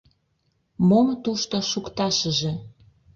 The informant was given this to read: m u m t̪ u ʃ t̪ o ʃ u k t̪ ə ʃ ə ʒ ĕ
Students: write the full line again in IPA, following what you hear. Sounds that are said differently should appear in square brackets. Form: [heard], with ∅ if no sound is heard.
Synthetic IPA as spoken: m [o] m t̪ u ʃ t̪ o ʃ u k t̪ [ɑ] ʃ ə ʒ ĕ